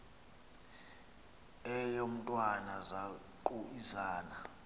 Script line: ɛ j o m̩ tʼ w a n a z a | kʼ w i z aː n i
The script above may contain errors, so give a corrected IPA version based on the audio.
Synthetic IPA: ɛ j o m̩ tʼ w a n a z a | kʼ u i z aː n a